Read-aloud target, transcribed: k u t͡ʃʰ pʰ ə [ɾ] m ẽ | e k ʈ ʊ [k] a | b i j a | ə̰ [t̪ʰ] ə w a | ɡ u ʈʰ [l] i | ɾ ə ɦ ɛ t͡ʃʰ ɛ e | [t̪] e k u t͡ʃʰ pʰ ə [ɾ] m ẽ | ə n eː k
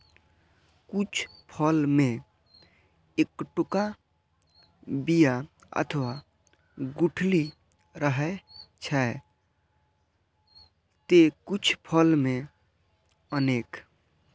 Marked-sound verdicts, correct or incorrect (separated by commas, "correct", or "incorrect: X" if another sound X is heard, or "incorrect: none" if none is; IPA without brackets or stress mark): incorrect: l, correct, correct, correct, correct, incorrect: l